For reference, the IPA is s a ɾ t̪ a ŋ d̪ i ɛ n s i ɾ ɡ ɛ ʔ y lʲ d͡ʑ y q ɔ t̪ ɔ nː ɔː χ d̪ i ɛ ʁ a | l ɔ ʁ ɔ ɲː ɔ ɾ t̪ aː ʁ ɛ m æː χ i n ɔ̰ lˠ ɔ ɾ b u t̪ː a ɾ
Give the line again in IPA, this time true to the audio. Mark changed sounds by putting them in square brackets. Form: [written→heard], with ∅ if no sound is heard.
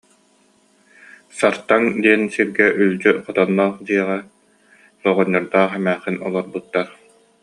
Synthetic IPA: s a ɾ t̪ a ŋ d̪ i ɛ n s i ɾ ɡ ɛ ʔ y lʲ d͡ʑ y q ɔ t̪ ɔ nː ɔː χ d̪ i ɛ ʁ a | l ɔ ʁ ɔ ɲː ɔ ɾ [t̪→d̪] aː [ʁ→χ] ɛ m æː χ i n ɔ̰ lˠ ɔ ɾ b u t̪ː a ɾ